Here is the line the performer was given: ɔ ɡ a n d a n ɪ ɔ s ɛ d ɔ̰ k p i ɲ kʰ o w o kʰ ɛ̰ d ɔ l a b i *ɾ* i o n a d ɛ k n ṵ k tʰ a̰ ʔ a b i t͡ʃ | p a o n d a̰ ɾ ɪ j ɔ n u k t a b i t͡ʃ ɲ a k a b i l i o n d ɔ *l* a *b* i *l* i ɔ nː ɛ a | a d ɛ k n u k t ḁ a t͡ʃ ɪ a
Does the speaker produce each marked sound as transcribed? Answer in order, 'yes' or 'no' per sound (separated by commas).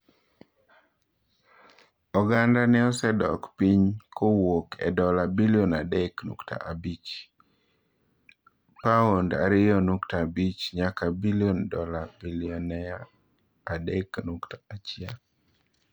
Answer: no, yes, yes, yes